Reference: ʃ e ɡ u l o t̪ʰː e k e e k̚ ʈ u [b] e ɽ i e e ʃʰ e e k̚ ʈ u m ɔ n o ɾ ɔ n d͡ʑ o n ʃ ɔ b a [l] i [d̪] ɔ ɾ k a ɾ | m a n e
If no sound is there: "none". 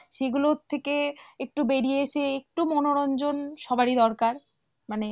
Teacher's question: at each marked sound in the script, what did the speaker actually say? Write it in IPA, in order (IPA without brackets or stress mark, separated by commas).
b, ɾ, d̪